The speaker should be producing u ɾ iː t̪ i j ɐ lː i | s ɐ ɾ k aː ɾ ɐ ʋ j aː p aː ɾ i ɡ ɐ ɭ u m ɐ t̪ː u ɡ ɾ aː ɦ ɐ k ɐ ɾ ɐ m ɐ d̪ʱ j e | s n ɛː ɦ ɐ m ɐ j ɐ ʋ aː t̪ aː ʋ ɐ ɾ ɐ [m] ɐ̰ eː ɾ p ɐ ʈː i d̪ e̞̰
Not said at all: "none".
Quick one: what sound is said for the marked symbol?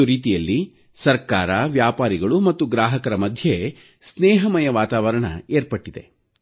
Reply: ɳ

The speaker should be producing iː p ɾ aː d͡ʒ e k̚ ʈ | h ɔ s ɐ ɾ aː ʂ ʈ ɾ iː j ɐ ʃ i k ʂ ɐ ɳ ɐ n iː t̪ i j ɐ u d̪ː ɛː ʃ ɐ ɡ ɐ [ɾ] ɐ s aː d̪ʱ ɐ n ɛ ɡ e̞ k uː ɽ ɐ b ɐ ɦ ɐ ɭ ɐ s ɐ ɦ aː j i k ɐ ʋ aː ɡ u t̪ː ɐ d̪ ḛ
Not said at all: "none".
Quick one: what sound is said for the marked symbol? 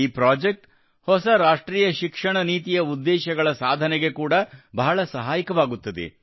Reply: ɭ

